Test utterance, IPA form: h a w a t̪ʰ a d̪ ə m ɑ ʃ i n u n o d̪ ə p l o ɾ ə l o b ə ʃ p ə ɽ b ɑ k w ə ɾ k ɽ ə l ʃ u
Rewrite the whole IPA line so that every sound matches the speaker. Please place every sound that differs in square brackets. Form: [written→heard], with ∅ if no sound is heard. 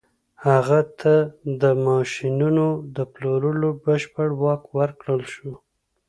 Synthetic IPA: h a [w→ɣ] a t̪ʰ a d̪ ə m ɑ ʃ i n u n o d̪ ə p l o ɾ ə l o b ə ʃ p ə ɽ [b→w] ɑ k w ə ɾ k ɽ ə l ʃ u